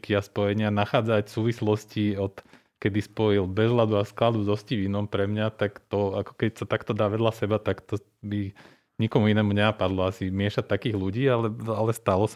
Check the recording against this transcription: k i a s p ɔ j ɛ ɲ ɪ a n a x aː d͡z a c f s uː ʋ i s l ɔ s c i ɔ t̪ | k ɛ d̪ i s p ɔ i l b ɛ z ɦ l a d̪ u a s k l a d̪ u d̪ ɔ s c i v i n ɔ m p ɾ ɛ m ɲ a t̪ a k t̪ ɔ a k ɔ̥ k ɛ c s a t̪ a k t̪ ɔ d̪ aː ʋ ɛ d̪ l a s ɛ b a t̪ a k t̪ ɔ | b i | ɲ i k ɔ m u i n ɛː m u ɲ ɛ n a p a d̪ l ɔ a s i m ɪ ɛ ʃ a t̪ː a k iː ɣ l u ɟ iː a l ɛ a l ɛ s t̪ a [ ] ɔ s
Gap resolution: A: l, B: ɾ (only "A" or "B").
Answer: A